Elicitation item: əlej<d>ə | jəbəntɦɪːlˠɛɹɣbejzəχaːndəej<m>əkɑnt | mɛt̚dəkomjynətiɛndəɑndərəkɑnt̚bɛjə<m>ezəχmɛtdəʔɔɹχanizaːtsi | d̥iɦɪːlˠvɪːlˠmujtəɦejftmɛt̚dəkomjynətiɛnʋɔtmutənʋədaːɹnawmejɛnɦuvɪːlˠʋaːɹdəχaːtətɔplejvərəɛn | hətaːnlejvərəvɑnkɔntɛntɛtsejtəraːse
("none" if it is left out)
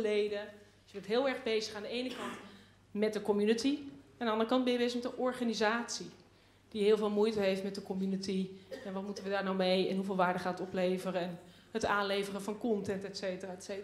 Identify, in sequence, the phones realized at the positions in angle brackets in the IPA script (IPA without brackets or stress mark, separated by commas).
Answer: d, n, b